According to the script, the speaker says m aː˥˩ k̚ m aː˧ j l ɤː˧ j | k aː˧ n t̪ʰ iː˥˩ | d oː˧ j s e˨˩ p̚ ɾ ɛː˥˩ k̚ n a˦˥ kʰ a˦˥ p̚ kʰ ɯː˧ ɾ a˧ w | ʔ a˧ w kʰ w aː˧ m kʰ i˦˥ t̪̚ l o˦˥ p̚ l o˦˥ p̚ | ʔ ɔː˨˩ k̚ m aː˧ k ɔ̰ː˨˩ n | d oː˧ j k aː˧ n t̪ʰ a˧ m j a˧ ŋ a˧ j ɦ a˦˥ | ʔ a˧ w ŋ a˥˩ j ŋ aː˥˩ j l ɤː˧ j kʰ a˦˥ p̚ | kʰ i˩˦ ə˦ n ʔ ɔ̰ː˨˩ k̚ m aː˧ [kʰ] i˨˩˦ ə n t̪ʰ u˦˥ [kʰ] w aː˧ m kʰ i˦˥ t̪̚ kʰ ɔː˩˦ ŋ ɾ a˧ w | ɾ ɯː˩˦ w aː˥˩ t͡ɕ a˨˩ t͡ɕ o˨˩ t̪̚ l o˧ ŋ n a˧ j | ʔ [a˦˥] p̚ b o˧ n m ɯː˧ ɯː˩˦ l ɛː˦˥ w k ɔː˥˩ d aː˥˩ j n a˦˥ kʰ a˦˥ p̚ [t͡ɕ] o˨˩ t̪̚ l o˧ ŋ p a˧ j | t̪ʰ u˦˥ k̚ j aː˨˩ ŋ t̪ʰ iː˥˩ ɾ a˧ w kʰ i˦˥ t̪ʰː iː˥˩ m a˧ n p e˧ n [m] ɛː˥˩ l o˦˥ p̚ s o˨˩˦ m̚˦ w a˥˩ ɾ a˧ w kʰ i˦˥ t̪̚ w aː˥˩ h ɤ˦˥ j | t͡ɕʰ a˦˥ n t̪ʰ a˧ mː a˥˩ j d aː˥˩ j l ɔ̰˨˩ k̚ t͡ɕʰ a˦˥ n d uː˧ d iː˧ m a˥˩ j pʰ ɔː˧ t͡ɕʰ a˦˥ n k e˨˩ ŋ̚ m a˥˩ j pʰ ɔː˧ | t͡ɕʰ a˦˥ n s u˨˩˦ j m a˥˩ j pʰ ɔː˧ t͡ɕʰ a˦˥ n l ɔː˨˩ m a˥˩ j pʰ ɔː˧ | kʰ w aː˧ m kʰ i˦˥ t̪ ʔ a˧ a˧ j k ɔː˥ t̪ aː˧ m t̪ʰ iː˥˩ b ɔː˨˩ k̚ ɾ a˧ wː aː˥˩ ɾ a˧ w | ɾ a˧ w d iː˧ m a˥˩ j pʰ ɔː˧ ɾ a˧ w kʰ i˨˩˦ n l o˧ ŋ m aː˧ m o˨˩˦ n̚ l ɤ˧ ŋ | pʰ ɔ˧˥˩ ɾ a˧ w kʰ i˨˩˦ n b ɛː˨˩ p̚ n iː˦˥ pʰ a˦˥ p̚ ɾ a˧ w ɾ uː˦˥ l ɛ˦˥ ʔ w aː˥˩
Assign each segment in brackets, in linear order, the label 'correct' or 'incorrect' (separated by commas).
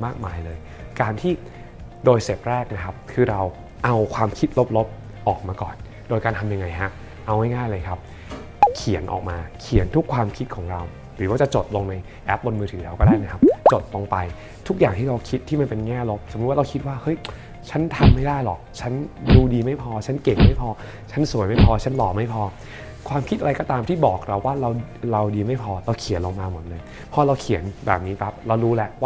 correct, correct, incorrect, correct, incorrect